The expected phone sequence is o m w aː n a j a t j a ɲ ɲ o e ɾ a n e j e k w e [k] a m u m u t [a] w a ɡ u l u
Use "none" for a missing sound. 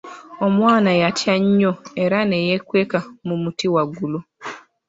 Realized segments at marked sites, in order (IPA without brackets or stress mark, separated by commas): k, i